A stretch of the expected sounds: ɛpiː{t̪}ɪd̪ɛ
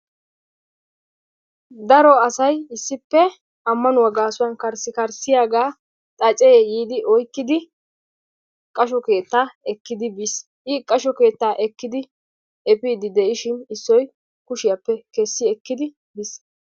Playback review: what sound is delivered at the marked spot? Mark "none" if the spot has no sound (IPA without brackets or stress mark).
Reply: d̪